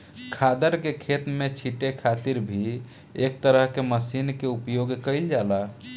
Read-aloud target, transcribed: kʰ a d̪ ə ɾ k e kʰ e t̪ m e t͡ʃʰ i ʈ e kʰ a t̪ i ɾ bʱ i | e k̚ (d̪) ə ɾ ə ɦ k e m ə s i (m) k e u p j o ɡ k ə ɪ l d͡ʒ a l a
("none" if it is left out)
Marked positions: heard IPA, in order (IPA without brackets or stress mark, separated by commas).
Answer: t̪, n